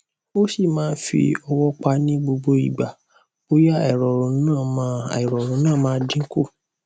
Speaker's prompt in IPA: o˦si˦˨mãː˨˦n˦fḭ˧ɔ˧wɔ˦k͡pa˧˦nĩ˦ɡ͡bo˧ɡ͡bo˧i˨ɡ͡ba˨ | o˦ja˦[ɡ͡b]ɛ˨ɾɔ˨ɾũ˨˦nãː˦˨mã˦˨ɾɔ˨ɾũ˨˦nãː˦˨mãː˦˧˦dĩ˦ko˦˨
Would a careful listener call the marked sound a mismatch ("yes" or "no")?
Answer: yes